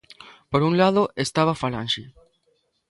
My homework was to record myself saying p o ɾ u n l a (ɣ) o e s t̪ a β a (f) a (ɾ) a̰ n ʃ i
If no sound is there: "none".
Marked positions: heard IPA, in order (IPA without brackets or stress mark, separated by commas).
ð, f, l